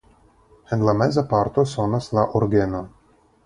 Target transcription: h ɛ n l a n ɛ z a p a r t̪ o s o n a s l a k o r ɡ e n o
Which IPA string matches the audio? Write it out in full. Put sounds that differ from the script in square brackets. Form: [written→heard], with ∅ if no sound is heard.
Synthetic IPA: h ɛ n l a [n→m] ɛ z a p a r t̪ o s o n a s l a [k→ʔ] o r ɡ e n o